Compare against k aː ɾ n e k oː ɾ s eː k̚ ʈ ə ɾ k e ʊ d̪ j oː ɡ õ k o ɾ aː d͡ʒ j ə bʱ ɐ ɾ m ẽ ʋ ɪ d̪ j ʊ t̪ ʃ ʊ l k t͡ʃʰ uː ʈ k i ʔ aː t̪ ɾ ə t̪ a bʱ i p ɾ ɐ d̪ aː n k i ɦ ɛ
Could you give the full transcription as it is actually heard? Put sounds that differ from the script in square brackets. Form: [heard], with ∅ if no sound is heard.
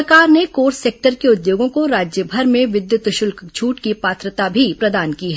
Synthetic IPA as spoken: k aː ɾ n e k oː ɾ s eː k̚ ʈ ə ɾ k e ʊ d̪ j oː ɡ õ k o ɾ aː d͡ʒ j ə bʱ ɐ ɾ m ẽ ʋ ɪ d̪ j ʊ t̪ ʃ ʊ l k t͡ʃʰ uː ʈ k i [p] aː t̪ ɾ ə t̪ a bʱ i p ɾ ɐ d̪ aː n k i ɦ ɛ